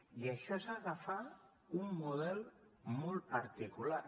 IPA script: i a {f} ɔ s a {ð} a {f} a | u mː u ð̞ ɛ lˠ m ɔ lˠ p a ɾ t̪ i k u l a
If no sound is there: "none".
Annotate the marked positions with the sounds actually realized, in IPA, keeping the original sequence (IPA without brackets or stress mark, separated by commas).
ʃ, ɣ, f